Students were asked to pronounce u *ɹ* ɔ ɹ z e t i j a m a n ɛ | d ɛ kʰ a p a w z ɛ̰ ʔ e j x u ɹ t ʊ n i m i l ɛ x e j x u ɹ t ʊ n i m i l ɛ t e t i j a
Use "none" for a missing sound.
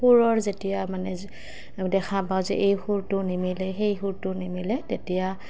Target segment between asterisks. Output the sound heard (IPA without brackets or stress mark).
ɹ